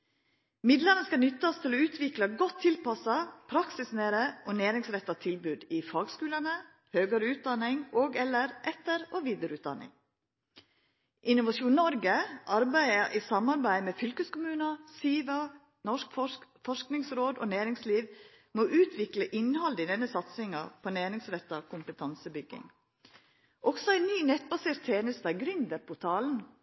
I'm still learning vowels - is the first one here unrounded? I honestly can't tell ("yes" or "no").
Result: yes